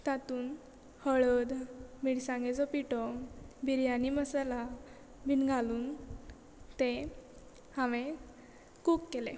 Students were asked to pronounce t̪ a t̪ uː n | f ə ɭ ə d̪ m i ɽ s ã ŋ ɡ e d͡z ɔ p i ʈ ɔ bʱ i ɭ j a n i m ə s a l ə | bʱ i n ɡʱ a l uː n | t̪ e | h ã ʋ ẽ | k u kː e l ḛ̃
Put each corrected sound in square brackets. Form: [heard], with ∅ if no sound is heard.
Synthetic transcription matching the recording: t̪ a t̪ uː n | [h] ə ɭ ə d̪ m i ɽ s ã ŋ ɡ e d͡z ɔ p i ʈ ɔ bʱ i [ɾ] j a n i m ə s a l [a] | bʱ i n ɡʱ a l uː n | t̪ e | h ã ʋ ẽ | k u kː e l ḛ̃